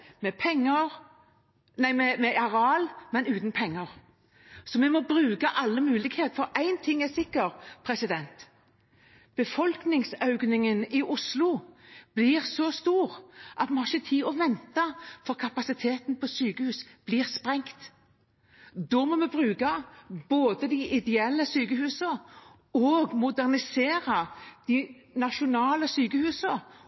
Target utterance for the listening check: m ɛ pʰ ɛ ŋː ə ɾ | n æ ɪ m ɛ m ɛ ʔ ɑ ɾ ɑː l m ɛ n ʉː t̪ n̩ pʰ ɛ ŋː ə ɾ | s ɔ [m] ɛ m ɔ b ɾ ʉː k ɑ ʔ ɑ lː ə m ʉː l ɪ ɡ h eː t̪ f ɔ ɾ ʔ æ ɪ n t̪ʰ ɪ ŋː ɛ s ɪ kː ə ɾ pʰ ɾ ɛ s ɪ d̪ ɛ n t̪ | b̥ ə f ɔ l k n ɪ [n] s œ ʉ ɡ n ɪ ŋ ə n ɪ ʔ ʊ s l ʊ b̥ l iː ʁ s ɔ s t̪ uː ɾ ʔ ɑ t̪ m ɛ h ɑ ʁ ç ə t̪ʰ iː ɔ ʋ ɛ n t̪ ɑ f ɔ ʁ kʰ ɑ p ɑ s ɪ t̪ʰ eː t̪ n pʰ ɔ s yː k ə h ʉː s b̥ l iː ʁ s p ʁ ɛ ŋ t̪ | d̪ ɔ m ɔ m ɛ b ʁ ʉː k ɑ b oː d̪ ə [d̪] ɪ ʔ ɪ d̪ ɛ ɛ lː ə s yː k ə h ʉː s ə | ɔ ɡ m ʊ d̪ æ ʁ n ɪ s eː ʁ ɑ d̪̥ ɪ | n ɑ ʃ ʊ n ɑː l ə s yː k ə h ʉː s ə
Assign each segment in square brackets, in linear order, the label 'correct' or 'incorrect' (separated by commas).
correct, incorrect, correct